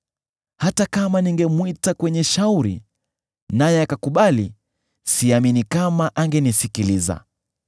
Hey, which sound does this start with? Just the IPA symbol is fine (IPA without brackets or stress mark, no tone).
h